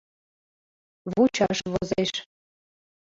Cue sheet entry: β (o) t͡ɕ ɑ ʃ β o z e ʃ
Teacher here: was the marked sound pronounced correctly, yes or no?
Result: no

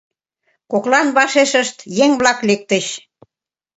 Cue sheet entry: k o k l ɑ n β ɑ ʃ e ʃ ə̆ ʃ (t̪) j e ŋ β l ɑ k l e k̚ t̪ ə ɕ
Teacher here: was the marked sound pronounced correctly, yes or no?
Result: yes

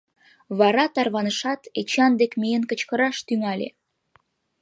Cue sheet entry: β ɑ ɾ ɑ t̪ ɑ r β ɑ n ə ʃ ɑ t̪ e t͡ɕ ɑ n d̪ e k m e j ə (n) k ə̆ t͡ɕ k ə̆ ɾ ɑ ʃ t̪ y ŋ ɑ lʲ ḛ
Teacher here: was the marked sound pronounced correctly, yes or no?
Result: yes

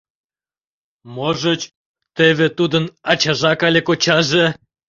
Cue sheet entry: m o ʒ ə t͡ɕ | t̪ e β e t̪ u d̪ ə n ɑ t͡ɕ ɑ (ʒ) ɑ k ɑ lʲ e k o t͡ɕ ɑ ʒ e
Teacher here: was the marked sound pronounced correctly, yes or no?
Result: yes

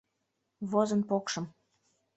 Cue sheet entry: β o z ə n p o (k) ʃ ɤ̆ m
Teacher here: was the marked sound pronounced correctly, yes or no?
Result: yes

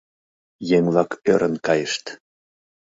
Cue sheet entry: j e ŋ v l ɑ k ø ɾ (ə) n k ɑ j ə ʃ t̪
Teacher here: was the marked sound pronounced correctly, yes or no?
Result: yes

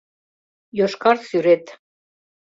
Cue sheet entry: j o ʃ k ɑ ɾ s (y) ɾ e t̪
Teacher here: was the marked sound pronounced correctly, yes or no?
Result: yes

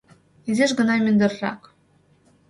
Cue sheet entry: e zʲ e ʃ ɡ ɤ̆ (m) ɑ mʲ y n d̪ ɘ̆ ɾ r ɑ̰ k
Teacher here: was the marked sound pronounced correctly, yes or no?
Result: no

